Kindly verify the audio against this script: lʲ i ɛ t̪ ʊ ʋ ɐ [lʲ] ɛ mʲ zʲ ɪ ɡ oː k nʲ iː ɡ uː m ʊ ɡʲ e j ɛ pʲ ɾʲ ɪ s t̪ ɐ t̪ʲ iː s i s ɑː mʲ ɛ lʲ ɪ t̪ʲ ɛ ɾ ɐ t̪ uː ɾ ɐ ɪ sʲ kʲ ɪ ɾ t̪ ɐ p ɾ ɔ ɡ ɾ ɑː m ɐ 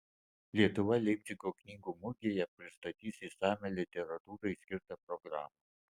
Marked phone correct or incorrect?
correct